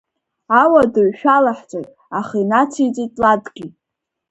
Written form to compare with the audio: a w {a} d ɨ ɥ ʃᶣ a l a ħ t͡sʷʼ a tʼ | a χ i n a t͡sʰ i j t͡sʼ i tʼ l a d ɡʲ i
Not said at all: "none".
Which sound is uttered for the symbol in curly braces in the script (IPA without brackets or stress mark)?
a